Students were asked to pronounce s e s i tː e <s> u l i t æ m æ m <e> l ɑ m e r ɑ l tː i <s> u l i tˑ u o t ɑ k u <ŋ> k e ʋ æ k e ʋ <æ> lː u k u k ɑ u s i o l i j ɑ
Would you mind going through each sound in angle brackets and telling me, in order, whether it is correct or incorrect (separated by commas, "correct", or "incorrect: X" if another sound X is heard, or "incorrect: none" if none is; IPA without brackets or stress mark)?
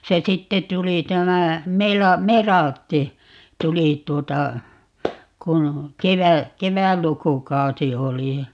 incorrect: t, correct, incorrect: t, incorrect: n, correct